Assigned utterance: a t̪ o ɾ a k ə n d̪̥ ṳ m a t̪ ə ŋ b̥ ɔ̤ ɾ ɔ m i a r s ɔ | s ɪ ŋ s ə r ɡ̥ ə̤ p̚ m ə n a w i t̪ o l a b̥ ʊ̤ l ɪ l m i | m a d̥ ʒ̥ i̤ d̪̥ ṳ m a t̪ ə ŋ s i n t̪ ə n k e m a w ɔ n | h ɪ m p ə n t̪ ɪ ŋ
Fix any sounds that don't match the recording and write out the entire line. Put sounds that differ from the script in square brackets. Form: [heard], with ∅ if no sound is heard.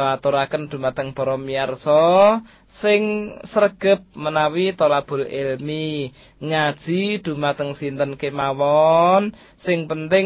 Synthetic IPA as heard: a t̪ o ɾ a k ə n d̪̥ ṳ m a t̪ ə ŋ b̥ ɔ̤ ɾ ɔ m i a r s ɔ | s ɪ ŋ s ə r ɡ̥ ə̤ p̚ m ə n a w i t̪ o l a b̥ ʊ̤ l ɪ l m i | [ŋ] a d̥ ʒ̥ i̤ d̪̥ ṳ m a t̪ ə ŋ s i n t̪ ə n k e m a w ɔ n | [s] ɪ [ŋ] p ə n t̪ ɪ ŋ